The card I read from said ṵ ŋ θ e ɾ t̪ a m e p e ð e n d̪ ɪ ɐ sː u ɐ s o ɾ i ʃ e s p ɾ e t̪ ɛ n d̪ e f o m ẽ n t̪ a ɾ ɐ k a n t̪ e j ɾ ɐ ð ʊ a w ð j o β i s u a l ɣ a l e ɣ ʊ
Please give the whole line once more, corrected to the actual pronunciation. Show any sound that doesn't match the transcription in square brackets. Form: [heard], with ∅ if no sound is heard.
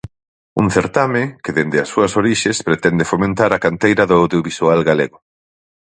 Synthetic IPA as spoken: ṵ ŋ θ e ɾ t̪ a m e [k] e ð e n d̪ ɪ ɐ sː u ɐ s o ɾ i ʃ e s p ɾ e t̪ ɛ n d̪ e f o m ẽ n t̪ a ɾ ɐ k a n t̪ e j ɾ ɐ ð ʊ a w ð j o β i s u a l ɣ a l e ɣ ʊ